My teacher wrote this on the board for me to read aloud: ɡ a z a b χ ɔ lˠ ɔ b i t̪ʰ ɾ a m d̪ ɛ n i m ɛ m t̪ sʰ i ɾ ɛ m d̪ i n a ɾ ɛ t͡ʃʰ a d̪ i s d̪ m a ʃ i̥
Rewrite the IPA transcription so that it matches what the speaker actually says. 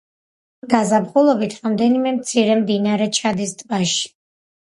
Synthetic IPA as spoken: ɡ a z a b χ u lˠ ɔ b i t̪ʰ ɾ a m d̪ ɛ n i m ɛ m t̪ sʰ i ɾ ɛ m d̪ i n a ɾ ɛ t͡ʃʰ a d̪ i s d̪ b a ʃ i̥